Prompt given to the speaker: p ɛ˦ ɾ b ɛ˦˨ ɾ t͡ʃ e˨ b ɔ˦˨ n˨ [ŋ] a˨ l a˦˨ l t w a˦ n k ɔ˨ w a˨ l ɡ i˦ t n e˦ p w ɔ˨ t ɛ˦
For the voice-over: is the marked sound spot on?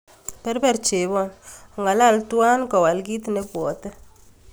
yes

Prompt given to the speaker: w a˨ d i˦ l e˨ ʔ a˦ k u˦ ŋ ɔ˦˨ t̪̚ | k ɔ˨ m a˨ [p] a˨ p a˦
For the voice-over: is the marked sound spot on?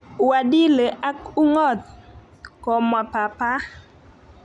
yes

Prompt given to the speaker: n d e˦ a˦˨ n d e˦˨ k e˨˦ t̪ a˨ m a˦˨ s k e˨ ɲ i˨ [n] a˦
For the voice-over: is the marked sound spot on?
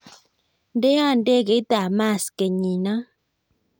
yes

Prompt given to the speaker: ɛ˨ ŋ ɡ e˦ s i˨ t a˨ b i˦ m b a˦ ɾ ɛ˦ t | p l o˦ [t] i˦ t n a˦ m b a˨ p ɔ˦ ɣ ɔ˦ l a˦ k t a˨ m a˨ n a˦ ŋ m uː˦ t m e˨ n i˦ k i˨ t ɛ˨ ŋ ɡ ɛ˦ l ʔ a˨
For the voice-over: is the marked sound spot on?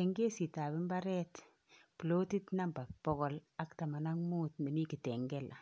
yes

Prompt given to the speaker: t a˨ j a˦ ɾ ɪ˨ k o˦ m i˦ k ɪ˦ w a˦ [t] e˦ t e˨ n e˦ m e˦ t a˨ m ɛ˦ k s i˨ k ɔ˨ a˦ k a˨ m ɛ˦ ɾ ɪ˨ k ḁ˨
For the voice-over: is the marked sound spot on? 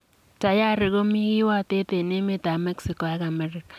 yes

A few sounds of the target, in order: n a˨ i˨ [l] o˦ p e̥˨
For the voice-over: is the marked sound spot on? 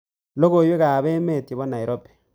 no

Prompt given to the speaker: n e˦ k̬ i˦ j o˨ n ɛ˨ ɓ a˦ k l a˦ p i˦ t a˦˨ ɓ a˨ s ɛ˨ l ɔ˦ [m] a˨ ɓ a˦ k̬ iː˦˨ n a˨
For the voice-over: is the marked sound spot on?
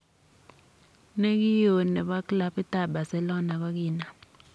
no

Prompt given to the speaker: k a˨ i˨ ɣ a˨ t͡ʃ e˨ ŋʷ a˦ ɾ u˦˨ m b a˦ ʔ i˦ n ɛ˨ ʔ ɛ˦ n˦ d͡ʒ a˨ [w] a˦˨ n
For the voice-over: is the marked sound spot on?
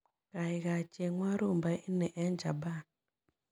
no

